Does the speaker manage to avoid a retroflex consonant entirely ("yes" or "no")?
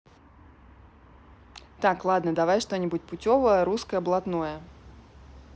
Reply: no